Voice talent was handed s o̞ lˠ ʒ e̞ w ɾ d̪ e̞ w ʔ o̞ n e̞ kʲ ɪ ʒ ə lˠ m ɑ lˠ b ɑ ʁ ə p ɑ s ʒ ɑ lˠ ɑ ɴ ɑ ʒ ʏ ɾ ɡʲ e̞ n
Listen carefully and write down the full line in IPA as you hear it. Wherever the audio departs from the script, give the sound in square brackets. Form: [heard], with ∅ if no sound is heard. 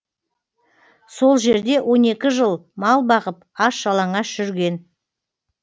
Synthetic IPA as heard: s o̞ lˠ ʒ e̞ [∅] ɾ d̪ e̞ w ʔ o̞ n e̞ kʲ ɪ ʒ ə lˠ m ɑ lˠ b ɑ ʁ ə p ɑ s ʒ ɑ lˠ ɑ ɴ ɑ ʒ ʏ ɾ ɡʲ e̞ n